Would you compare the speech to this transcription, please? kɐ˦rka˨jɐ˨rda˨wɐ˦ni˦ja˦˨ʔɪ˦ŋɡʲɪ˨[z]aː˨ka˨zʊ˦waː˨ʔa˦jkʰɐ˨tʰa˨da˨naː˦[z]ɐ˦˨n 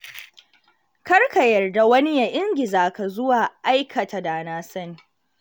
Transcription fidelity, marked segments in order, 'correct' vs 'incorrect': correct, incorrect: s

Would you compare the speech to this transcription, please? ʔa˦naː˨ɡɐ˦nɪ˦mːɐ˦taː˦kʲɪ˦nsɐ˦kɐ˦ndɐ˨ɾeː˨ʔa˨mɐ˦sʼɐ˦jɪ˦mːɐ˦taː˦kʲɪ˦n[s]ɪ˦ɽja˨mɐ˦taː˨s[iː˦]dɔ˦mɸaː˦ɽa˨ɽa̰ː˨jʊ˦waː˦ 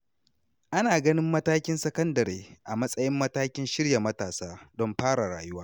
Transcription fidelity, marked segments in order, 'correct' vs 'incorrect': incorrect: ʃ, incorrect: aː˦

